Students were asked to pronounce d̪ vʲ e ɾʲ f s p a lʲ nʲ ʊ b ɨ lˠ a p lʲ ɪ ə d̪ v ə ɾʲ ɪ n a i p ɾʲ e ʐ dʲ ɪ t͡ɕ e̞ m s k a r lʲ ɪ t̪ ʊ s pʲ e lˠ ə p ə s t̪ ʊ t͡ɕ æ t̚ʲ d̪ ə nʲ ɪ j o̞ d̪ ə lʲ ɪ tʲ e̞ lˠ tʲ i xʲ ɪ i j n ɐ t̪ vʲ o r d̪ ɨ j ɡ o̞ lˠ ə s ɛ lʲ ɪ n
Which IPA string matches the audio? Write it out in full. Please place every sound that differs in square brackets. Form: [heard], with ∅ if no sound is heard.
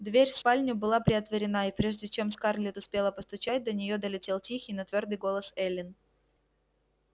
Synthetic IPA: d̪ vʲ e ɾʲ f s p a lʲ nʲ ʊ b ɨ lˠ a p [ɾʲ] ɪ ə [t̪] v ə ɾʲ ɪ n a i p ɾʲ e ʐ dʲ ɪ t͡ɕ e̞ m s k a r lʲ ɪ t̪ ʊ s pʲ e lˠ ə p ə s t̪ ʊ t͡ɕ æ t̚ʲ d̪ ə nʲ ɪ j o̞ d̪ ə lʲ ɪ tʲ e̞ lˠ tʲ i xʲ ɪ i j n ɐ t̪ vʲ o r d̪ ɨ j ɡ o̞ lˠ ə s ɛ lʲ ɪ n